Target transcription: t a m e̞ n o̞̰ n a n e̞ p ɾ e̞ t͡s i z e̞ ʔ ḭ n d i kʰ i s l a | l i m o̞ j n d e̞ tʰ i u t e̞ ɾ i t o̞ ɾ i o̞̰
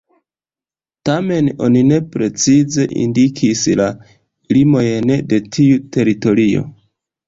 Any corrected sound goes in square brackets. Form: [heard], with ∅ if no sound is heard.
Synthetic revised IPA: t a m e̞ n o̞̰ n [i] n e̞ p ɾ e̞ t͡s i z e̞ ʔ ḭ n d i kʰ i s l a | l i m o̞ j n d e̞ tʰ i u t e̞ ɾ i t o̞ ɾ i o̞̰

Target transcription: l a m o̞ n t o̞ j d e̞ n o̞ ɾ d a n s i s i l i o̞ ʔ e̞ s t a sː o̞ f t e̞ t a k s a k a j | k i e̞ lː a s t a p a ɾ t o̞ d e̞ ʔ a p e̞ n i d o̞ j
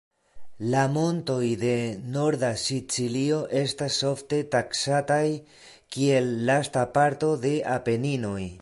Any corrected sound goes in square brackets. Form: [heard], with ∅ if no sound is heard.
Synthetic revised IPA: l a m o̞ n t o̞ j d e̞ n o̞ ɾ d a [∅] s i [t͡s] i l i o̞ ʔ e̞ s t a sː o̞ f t e̞ t a k s a [t] a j | k i e̞ lː a s t a p a ɾ t o̞ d e̞ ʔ a p e̞ n i [n] o̞ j

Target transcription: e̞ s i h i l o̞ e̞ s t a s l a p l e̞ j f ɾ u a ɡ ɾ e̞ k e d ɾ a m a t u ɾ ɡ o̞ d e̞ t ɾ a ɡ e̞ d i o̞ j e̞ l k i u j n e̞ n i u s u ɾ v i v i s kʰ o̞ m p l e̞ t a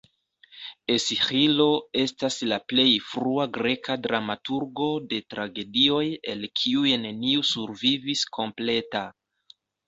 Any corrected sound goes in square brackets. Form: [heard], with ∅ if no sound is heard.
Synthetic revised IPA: e̞ s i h i l o̞ e̞ s t a s l a p l e̞ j f ɾ u a ɡ ɾ e̞ k [a] d ɾ a m a t u ɾ ɡ o̞ d e̞ t ɾ a ɡ e̞ d i o̞ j e̞ l [kʰ] i u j n e̞ n i u s u ɾ v i v i s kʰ o̞ m p l e̞ t a

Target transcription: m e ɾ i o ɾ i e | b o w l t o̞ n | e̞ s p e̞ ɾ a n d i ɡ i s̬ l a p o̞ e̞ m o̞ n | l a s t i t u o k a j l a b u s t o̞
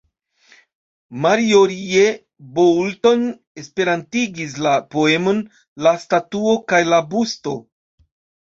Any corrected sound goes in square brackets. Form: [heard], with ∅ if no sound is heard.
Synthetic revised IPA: m [a] ɾ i o ɾ i e | b o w l t o̞ n | e̞ s p e̞ ɾ a n [t] i ɡ i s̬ l a p o̞ e̞ m o̞ n | l a s t [a] t u o k a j l a b u s t o̞

